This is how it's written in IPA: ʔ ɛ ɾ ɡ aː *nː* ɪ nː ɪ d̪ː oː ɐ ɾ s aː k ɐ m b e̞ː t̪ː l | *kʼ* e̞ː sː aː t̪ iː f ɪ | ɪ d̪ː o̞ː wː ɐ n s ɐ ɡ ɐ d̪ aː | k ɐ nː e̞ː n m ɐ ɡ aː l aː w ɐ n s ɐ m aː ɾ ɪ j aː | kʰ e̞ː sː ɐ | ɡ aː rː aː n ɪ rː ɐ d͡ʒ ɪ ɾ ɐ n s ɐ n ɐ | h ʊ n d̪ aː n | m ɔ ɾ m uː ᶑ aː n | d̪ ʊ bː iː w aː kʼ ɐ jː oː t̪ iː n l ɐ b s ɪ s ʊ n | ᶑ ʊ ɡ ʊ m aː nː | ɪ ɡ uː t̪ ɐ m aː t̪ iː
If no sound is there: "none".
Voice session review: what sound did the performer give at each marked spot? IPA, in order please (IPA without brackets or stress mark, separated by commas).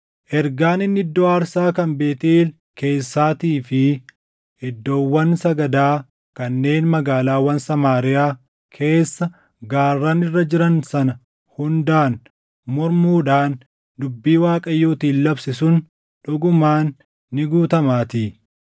n, k